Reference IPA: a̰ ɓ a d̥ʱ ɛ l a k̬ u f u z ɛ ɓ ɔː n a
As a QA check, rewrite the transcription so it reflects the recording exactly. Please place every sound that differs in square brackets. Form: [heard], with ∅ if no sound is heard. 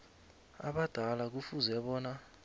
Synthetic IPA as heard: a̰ ɓ a d̥ʱ [a] l a k̬ u f u z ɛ ɓ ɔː n a

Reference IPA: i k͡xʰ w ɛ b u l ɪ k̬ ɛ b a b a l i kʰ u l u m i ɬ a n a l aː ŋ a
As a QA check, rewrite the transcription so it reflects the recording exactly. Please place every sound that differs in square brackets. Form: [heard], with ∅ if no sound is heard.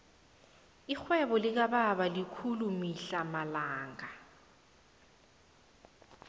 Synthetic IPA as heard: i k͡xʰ w ɛ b [ɔ] l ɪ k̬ [a] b a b a l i kʰ u l u m i ɬ a [m] a l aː ŋ a

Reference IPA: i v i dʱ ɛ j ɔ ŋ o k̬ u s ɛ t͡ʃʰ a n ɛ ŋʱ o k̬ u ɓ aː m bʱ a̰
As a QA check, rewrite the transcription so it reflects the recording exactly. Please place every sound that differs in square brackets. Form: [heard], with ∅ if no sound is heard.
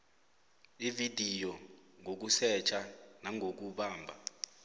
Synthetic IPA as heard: i v i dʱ [i] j ɔ ŋ o k̬ u s ɛ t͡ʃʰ a n [a] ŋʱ o k̬ u ɓ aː m bʱ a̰

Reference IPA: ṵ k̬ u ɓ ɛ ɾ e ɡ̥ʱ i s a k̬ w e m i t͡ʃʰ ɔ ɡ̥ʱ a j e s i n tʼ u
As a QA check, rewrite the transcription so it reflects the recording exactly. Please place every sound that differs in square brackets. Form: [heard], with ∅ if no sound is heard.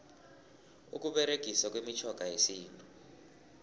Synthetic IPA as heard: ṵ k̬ u ɓ ɛ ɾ e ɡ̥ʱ i s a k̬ w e m i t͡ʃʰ ɔ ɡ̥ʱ a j e s [iː] n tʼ u

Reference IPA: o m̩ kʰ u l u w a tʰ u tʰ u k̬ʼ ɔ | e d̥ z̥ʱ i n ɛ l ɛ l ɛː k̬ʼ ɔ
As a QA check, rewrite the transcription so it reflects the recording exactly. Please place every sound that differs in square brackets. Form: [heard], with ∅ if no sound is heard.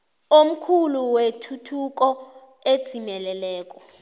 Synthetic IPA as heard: o m̩ kʰ u l u w [e] tʰ u tʰ u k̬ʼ ɔ | e d̥ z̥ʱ i [m] ɛ l ɛ l ɛː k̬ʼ ɔ

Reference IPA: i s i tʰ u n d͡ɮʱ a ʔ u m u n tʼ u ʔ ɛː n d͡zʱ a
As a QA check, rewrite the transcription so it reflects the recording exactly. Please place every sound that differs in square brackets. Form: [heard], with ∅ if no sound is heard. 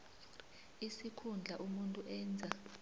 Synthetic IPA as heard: i s i [kʰ] u n d͡ɮʱ a ʔ u m u n tʼ u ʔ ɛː n d͡zʱ a

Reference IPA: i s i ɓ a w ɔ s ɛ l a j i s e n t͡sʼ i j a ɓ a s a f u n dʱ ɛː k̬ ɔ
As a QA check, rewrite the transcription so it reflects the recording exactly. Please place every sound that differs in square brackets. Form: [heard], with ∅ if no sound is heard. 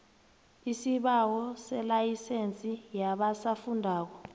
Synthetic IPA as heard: i s i ɓ a w ɔ s ɛ l a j i s e n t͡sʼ i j a ɓ a s a f u n dʱ [aː] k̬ ɔ

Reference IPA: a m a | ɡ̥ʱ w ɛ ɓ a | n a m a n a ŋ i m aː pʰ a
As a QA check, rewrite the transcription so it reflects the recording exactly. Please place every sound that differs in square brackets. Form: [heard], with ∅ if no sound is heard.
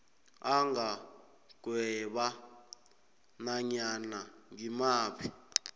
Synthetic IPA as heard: a [ŋ] a | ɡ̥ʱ w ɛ ɓ a | n a [ɲ] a n a ŋ i m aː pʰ [i]

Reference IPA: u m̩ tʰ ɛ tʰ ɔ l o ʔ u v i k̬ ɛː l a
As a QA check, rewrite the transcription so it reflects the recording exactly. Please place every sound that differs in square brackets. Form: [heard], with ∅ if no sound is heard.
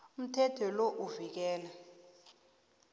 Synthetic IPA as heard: u m̩ tʰ ɛ tʰ ɔ l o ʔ u v i k̬ ɛː l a

